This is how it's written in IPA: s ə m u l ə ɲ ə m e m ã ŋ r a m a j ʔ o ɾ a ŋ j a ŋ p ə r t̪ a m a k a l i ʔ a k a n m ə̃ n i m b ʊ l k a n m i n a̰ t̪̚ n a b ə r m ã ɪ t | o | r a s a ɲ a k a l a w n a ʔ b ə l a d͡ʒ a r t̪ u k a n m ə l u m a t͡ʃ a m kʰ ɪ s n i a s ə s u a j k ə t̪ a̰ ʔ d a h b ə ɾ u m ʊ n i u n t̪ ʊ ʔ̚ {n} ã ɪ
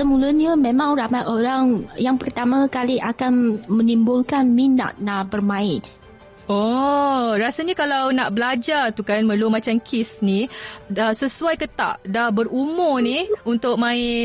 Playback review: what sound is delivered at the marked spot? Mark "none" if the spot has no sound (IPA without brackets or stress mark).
m